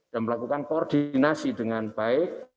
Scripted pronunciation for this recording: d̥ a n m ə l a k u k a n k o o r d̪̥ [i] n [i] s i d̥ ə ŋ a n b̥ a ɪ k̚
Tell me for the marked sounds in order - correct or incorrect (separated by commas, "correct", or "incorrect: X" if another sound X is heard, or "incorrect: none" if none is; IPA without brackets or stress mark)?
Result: correct, incorrect: a